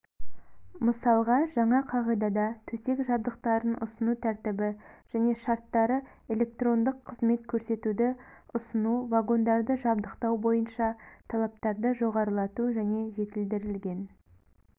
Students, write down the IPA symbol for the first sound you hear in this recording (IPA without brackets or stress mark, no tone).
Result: m